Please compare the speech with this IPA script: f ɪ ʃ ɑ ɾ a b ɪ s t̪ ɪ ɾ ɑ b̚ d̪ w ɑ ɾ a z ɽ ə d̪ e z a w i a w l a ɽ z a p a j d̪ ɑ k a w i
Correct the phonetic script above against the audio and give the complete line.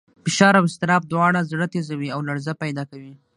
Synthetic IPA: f ɪ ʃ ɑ ɾ a w ɪ s t̪ ɪ ɾ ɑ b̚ d̪ w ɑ ɽ a z ɽ ə t̪ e z a w i a w l a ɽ z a p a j d̪ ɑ k a w i